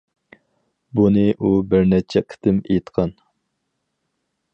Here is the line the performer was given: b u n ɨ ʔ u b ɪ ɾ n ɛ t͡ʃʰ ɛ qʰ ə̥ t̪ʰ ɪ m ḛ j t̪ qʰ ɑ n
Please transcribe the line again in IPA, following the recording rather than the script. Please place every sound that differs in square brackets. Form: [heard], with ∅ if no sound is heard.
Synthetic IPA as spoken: b u n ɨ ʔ u b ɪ ɾ n ɛ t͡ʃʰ ɛ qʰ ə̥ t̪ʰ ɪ m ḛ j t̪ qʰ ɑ n